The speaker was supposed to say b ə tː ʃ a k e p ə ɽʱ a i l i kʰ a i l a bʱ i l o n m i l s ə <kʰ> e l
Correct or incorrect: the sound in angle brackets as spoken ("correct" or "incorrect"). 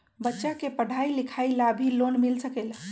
incorrect